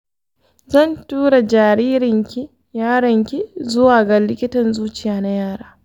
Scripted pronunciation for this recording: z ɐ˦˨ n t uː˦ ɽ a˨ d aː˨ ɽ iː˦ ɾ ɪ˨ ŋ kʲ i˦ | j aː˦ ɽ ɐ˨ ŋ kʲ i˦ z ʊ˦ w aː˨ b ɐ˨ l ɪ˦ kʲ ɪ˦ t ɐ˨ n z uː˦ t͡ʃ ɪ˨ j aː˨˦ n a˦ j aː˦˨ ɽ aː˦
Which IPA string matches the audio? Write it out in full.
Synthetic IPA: z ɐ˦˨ n t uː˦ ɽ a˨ d͡ʒ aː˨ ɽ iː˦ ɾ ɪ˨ ŋ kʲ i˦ | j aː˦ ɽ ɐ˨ ŋ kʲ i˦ z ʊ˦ w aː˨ ɡ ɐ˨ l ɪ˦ kʲ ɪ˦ t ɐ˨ n z uː˦ t͡ʃ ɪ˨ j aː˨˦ n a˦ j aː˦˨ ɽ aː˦